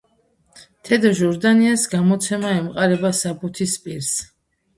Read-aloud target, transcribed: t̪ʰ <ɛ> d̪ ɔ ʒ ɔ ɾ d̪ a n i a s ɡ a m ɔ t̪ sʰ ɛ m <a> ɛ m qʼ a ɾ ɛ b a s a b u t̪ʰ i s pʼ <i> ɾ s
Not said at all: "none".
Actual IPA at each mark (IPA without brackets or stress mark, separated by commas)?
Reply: ɛ, a, i